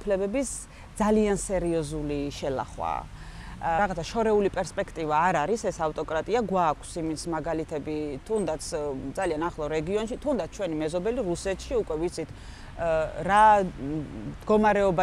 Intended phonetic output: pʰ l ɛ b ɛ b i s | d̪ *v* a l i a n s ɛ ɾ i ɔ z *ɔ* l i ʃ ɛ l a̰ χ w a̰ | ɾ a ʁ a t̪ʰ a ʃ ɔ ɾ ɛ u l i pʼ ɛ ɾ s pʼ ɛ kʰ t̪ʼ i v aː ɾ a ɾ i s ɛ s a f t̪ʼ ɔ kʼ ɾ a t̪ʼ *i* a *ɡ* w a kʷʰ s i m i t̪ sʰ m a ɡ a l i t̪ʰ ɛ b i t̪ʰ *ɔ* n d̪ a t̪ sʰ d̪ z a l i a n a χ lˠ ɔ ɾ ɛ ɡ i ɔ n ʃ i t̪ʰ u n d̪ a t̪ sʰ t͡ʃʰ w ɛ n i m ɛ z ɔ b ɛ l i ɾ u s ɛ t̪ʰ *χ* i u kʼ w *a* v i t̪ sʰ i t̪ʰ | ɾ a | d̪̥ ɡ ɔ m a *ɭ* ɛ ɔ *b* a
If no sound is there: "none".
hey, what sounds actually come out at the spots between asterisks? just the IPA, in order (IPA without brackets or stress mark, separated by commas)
z, u, i, ɡ, u, ʃ, ɛ, ɾ, b